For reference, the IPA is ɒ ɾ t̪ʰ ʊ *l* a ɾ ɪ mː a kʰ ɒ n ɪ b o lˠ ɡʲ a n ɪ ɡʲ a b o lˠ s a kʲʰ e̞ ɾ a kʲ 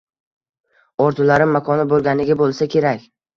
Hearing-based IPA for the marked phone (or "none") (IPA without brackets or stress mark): l